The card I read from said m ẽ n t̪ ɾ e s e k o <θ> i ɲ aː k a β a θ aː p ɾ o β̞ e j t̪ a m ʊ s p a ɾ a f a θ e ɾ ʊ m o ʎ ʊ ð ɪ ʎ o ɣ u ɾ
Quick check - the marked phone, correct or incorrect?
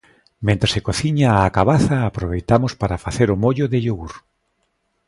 correct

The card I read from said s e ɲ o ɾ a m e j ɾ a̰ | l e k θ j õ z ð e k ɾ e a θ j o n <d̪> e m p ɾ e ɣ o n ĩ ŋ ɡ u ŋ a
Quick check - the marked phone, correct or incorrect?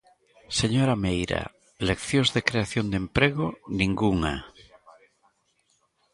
correct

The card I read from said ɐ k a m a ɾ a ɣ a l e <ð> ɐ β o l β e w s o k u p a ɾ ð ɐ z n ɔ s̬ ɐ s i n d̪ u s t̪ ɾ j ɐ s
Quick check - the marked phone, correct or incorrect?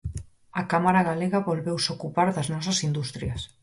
incorrect: ɣ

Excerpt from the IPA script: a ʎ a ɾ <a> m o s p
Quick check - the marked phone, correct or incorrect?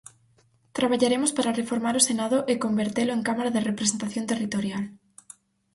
incorrect: e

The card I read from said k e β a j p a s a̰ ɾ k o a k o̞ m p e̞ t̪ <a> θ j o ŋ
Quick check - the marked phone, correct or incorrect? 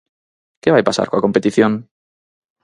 incorrect: i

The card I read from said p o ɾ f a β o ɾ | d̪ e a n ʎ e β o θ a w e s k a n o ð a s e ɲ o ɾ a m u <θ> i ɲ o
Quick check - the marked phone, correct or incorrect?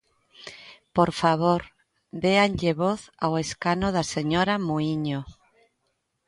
incorrect: none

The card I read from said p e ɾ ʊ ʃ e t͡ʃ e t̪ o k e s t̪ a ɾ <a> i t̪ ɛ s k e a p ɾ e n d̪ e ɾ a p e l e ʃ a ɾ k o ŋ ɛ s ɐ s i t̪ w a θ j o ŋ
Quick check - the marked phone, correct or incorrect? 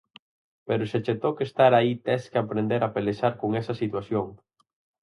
correct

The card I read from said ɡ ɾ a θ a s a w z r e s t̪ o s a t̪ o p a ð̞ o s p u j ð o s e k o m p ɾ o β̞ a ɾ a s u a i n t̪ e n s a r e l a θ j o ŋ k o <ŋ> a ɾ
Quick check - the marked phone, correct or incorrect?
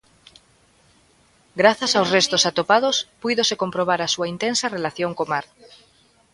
incorrect: m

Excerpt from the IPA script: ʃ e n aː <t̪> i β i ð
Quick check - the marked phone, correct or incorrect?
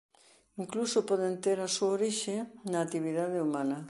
correct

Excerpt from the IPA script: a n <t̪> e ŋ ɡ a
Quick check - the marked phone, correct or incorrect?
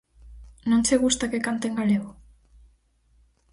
correct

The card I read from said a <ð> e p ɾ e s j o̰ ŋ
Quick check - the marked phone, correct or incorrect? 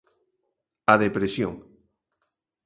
correct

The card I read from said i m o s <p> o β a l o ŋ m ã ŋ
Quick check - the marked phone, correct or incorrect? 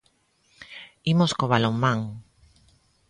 incorrect: k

